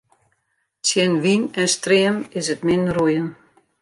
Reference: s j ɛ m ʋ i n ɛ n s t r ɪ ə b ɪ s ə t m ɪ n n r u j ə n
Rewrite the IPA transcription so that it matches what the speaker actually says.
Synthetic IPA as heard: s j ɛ n ʋ i n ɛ n s t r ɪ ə m ɪ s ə t m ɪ n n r u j ə n